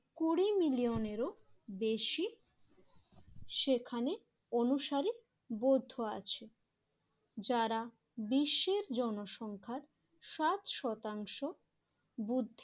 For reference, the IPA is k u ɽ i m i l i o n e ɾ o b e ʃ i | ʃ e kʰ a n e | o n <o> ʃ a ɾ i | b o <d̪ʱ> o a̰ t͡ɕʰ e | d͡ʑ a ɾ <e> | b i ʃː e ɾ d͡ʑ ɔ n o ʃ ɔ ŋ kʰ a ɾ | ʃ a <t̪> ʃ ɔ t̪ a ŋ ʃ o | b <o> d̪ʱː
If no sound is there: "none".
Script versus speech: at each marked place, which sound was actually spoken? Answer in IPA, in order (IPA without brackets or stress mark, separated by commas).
u, d̪ʱː, a, t̪, u